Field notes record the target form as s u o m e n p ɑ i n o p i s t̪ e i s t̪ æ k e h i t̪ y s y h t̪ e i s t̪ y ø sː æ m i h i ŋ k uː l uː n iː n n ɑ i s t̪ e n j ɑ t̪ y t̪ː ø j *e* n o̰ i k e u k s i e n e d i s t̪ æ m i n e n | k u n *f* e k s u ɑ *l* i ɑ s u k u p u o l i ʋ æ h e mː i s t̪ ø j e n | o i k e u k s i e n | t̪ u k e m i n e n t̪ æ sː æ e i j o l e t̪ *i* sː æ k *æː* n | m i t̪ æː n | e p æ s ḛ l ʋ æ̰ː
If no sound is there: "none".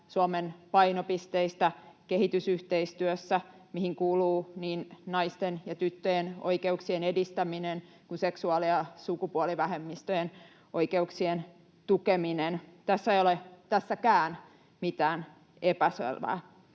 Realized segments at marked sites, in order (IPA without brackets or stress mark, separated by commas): e, s, l, æ, æː